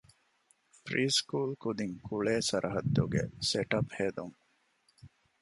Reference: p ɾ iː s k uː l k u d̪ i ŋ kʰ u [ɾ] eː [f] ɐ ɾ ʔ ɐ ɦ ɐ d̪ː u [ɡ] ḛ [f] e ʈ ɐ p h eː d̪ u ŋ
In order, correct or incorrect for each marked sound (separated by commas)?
incorrect, incorrect, correct, incorrect